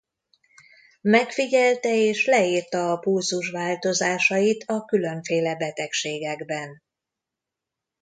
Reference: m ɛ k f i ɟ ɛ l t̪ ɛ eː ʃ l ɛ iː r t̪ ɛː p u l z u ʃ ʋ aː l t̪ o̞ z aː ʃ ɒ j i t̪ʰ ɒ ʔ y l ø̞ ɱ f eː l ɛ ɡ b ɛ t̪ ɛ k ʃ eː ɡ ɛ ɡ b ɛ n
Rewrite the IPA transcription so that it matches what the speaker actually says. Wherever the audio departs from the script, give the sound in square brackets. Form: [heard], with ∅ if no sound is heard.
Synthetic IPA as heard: m ɛ k f i ɟ ɛ l t̪ ɛ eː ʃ l ɛ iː r t̪ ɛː p u l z u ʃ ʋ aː l t̪ o̞ z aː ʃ ɒ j i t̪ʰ ɒ [k] y l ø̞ ɱ f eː l ɛ [∅] b ɛ t̪ ɛ k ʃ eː ɡ ɛ ɡ b ɛ n

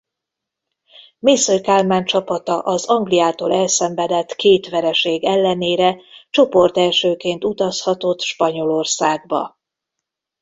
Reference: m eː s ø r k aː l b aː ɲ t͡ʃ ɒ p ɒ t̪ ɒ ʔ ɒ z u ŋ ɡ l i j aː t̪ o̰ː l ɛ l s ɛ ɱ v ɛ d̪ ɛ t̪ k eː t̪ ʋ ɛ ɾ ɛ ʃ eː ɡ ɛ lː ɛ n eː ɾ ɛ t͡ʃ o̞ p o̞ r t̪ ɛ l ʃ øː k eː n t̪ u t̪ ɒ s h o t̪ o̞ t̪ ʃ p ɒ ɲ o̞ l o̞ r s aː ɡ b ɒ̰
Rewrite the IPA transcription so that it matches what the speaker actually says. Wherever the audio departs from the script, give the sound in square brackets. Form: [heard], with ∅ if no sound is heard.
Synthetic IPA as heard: m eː s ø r k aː l [m] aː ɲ t͡ʃ ɒ p ɒ t̪ ɒ ʔ ɒ z [ɒ] ŋ ɡ l i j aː t̪ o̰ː l ɛ l s ɛ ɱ v ɛ d̪ ɛ t̪ k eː t̪ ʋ ɛ ɾ ɛ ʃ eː ɡ ɛ lː ɛ n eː ɾ ɛ t͡ʃ o̞ p o̞ r t̪ ɛ l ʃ øː k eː n t̪ u t̪ ɒ s h [ɒ] t̪ o̞ t̪ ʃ p ɒ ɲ o̞ l o̞ r s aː ɡ b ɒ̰

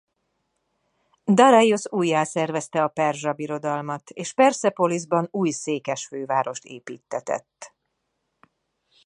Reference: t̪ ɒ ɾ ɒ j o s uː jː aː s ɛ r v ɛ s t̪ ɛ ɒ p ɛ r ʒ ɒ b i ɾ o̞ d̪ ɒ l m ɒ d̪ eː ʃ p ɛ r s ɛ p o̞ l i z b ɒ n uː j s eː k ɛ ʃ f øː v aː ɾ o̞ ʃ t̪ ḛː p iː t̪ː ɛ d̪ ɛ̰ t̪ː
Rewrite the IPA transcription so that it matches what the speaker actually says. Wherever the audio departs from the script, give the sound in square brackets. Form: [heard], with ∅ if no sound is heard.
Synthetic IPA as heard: [d̪] ɒ ɾ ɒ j o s uː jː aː s ɛ r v ɛ s t̪ ɛ ɒ p ɛ r ʒ ɒ b i ɾ o̞ d̪ ɒ l m ɒ [t̪] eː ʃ p ɛ r s ɛ p o̞ l i z b ɒ n uː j s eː k ɛ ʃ f øː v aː ɾ o̞ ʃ t̪ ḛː p iː t̪ː ɛ [t̪] ɛ̰ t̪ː

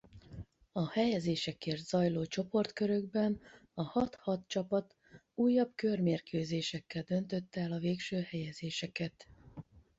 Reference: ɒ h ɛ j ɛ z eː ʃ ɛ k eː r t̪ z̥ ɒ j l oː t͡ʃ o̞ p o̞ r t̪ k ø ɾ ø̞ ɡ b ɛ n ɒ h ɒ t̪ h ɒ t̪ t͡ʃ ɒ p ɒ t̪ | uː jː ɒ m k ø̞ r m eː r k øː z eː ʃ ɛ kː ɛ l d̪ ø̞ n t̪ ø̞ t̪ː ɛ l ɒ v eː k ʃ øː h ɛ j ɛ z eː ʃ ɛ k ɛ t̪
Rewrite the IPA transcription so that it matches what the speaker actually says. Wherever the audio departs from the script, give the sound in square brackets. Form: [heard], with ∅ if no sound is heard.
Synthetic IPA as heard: ɒ h ɛ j ɛ z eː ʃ ɛ k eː r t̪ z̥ ɒ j l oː t͡ʃ o̞ p o̞ r t̪ k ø ɾ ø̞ ɡ b ɛ n ɒ h ɒ t̪ h ɒ t̪ t͡ʃ ɒ p ɒ t̪ | uː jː ɒ [b] k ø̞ r m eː r k øː z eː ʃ ɛ kː ɛ l d̪ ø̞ n t̪ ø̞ t̪ː ɛ l ɒ v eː k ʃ øː h ɛ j ɛ z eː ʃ ɛ k ɛ t̪

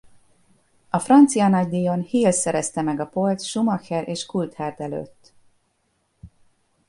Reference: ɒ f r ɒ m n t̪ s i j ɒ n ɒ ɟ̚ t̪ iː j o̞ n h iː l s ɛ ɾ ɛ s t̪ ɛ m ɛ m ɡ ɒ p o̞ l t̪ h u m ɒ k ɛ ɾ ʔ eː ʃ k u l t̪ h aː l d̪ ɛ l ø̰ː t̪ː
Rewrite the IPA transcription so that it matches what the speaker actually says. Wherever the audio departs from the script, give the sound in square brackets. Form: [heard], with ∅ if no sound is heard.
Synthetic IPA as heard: ɒ f r ɒ [∅] n t̪ s i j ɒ n ɒ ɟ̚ [d̪] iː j o̞ n h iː l s ɛ ɾ ɛ s t̪ ɛ m ɛ [∅] ɡ ɒ p o̞ l t̪ [ʃ] u m ɒ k ɛ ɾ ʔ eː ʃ k u l t̪ h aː [r] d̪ ɛ l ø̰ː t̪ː

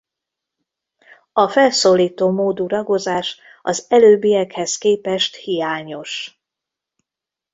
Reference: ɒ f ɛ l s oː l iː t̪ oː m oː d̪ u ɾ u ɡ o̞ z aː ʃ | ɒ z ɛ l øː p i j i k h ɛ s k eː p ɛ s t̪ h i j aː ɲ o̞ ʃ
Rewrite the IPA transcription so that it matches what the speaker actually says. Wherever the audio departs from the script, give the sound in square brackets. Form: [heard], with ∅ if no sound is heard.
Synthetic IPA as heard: ɒ f ɛ l s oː l iː t̪ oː m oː d̪ u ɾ [ɒ] ɡ o̞ z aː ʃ | ɒ z ɛ l øː [b] i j [ɛ] k h ɛ s k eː p ɛ [ʃ] t̪ h i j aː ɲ o̞ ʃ

